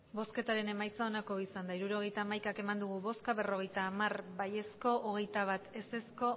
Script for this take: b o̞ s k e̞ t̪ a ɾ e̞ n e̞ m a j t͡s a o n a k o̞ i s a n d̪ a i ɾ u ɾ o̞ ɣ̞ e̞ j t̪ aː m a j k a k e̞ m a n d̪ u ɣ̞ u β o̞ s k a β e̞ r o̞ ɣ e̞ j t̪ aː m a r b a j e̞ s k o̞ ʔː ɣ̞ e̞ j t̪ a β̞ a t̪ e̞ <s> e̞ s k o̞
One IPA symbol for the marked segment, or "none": s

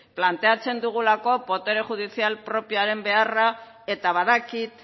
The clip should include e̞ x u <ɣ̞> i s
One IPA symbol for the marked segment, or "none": ð̞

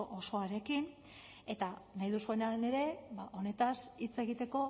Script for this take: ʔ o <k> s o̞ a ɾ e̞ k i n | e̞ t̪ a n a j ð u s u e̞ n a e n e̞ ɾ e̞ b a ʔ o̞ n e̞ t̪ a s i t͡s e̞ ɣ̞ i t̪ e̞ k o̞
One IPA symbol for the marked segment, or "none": none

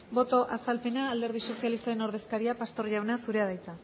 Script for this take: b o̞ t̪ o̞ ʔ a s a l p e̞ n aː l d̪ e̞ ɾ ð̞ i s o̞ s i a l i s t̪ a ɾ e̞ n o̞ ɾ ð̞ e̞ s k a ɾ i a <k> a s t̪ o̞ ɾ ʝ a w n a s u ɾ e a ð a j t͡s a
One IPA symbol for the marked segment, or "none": p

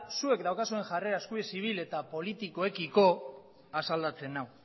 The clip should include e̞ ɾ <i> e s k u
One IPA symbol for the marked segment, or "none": a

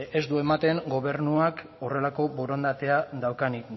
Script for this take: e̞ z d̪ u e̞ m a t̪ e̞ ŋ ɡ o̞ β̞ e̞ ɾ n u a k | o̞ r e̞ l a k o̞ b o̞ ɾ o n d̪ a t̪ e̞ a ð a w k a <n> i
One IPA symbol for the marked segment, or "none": n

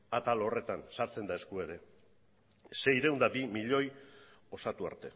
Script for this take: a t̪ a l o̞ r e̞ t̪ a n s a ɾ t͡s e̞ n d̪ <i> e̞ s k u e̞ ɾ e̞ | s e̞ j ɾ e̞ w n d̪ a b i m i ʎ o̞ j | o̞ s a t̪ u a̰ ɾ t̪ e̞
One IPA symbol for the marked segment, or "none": a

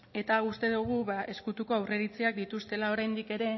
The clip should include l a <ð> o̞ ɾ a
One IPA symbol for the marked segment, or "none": none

